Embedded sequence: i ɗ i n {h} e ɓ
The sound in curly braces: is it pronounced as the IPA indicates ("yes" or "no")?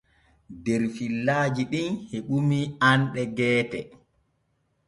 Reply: yes